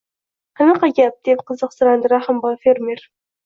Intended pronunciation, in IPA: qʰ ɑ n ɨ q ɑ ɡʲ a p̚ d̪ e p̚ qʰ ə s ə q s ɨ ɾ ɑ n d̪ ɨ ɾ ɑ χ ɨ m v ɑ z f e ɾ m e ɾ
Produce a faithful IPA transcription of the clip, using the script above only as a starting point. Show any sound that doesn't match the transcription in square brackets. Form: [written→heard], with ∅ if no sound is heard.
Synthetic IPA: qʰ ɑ n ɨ q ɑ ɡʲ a p̚ d̪ e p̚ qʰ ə [s→z] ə q s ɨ ɾ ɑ n d̪ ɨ ɾ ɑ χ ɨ m [v→b] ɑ [z→∅] f e ɾ m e ɾ